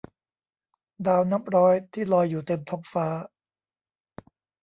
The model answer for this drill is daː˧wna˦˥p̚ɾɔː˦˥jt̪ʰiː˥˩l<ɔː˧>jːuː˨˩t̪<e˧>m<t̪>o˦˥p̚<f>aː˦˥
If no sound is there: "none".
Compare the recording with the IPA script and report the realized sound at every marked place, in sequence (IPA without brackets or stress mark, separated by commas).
ɔː˧, e˧, t̪ʰ, f